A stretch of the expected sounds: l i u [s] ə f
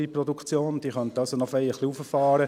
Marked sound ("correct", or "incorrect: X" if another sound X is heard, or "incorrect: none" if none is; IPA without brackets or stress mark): incorrect: f